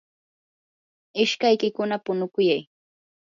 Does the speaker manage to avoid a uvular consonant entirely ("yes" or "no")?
yes